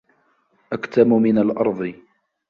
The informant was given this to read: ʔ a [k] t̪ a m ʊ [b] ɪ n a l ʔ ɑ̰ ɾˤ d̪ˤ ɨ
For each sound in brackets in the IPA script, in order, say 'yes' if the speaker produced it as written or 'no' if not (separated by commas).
yes, no